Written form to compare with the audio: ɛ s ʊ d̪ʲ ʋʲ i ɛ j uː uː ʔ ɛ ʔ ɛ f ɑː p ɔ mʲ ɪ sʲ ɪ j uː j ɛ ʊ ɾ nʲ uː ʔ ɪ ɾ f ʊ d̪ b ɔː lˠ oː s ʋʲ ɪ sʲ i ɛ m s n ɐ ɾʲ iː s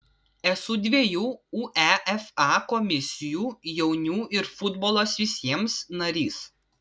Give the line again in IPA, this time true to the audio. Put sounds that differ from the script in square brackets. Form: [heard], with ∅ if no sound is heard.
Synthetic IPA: ɛ s ʊ d̪ʲ ʋʲ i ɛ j uː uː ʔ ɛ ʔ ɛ f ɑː [k] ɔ mʲ ɪ sʲ ɪ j uː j ɛ ʊ [∅] nʲ uː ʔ ɪ ɾ f ʊ d̪ b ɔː lˠ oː s ʋʲ ɪ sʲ i ɛ m s n ɐ ɾʲ iː s